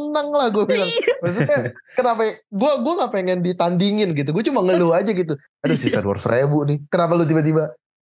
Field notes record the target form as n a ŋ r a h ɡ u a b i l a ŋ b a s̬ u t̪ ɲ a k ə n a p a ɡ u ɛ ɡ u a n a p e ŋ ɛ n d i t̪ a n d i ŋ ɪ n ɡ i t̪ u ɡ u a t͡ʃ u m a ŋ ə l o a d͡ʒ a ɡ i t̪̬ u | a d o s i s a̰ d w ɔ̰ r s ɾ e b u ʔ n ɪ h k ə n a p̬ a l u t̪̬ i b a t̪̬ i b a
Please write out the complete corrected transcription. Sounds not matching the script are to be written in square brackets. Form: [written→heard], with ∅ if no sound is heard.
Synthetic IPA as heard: n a ŋ [r→l] a h ɡ u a b i l a ŋ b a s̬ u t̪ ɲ a k ə n a p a ɡ u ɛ ɡ u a [n→ŋ] a p e ŋ ɛ n d i t̪ a n d i ŋ ɪ n ɡ i t̪ u ɡ u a t͡ʃ u m a ŋ ə l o a d͡ʒ a ɡ i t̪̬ u | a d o s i s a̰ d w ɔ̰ r s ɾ e b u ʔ n ɪ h k ə n a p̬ a l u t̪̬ i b a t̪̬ i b a